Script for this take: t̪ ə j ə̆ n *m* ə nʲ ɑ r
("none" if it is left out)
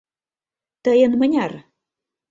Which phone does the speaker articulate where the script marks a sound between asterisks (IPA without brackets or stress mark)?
m